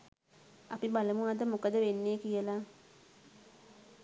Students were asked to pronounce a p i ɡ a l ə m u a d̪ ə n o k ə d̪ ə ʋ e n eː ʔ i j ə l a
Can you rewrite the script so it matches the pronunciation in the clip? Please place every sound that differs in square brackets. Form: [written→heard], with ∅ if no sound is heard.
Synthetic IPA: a p i [ɡ→b] a l ə m u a d̪ ə [n→m] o k ə d̪ ə ʋ e [n→nː] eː [ʔ→k] i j ə l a